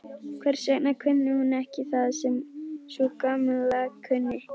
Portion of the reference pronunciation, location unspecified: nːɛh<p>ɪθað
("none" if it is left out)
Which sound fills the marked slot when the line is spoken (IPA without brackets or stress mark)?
c